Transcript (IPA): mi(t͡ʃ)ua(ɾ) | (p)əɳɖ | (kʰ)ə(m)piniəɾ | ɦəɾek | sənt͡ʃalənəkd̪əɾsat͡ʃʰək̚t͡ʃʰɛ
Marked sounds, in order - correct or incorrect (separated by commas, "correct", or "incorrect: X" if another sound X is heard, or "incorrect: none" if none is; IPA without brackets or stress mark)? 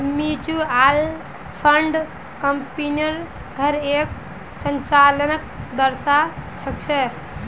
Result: correct, incorrect: l, incorrect: pʰ, incorrect: k, correct